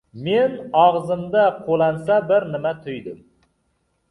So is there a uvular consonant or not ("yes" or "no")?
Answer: yes